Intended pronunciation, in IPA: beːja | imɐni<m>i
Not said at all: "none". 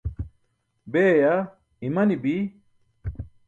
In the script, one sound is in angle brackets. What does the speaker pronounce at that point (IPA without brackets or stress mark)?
b